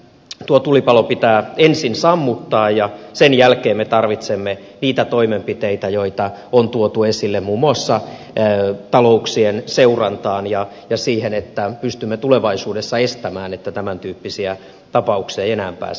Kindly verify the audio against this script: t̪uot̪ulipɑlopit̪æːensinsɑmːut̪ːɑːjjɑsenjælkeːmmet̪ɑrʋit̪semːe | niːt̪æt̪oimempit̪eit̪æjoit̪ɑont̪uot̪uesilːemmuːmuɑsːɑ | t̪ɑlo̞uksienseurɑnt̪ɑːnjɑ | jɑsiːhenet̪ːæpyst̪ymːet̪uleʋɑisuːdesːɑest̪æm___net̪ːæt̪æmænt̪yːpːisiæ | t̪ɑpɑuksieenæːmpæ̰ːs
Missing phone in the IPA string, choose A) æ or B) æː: B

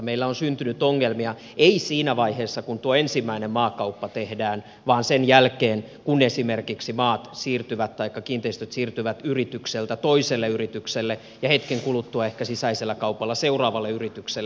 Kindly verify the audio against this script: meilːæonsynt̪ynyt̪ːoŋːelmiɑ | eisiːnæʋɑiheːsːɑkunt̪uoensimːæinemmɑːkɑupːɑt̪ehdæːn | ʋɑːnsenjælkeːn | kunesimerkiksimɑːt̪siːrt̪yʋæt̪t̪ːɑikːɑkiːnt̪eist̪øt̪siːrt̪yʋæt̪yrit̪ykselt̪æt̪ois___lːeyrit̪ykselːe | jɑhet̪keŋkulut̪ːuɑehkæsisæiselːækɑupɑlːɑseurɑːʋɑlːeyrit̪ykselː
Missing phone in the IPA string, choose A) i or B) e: B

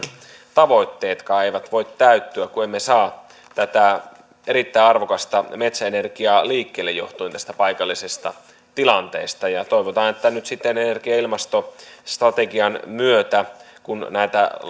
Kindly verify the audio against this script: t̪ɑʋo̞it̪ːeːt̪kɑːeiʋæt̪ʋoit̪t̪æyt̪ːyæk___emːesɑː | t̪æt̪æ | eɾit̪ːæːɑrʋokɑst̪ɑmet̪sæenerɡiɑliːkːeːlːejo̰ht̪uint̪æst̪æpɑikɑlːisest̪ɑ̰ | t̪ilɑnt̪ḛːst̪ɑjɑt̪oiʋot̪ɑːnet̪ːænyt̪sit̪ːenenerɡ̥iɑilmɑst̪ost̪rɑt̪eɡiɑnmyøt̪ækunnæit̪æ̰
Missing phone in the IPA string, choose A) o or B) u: B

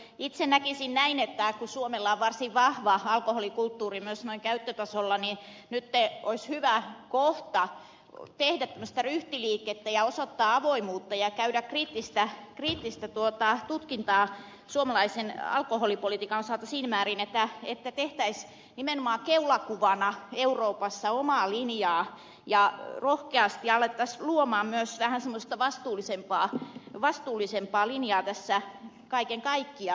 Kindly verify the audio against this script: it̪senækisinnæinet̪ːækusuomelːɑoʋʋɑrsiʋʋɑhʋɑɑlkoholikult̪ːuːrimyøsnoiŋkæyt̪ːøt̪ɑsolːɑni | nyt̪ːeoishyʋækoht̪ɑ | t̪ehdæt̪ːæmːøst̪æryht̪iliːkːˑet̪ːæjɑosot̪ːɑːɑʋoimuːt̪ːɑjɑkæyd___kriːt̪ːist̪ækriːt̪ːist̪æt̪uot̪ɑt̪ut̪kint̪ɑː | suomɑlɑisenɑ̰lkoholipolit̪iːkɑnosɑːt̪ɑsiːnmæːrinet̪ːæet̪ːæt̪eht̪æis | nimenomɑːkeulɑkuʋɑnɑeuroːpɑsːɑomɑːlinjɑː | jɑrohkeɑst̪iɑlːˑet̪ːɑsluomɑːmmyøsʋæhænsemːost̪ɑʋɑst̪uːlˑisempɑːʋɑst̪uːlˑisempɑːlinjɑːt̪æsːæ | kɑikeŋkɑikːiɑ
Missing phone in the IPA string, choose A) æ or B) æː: A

